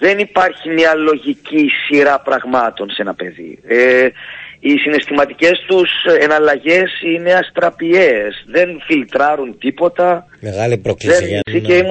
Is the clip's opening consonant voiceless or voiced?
voiced